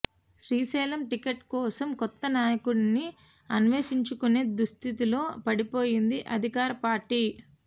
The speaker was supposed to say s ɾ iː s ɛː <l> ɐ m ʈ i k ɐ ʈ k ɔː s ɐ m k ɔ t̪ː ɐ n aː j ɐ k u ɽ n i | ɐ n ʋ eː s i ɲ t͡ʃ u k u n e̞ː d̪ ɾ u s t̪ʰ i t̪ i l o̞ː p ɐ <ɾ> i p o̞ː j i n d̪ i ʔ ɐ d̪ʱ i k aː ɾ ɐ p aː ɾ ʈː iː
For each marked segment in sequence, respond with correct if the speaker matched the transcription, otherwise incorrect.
correct, incorrect: ɽ

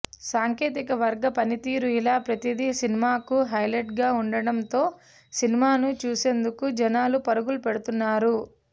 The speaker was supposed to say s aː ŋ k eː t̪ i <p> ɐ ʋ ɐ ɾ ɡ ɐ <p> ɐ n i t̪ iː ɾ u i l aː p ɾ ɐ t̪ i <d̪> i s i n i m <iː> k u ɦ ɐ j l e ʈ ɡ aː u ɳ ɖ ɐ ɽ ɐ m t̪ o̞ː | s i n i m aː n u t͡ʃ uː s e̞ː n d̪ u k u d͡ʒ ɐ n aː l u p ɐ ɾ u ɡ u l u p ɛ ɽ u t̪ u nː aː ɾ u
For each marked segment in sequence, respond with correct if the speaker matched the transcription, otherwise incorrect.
incorrect: k, correct, correct, incorrect: aː

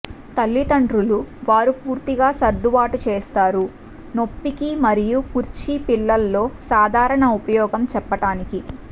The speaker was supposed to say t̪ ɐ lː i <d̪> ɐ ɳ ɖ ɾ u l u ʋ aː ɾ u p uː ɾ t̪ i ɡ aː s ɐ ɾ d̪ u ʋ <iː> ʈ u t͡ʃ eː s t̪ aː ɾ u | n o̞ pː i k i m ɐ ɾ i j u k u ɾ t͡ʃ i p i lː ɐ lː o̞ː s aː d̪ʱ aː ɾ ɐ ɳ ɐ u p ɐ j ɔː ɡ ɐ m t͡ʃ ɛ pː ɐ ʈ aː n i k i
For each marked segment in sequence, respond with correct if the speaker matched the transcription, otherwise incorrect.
incorrect: t̪, incorrect: aː

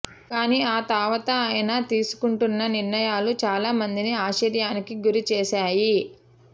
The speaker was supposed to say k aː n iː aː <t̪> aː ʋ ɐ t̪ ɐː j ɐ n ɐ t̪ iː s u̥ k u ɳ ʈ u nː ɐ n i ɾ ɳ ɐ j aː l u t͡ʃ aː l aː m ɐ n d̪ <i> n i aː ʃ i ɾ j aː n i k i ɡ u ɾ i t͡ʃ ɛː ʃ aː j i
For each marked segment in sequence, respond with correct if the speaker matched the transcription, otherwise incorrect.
correct, correct

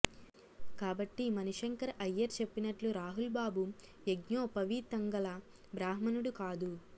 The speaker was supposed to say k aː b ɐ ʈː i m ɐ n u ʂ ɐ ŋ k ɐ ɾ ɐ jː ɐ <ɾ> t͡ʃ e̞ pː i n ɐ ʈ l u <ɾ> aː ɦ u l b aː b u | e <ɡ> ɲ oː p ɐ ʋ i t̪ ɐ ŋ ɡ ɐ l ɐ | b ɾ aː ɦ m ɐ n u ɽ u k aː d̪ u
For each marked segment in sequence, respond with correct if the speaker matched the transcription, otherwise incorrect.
correct, correct, correct

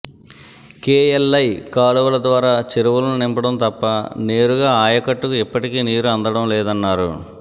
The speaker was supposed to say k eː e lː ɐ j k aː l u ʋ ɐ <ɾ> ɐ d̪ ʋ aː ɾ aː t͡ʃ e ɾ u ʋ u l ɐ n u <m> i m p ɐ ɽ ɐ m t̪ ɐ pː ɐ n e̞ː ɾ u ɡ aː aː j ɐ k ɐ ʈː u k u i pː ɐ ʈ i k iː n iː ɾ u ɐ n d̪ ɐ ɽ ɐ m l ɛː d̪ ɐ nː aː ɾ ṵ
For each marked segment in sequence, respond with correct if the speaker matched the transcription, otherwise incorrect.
incorrect: l, incorrect: n

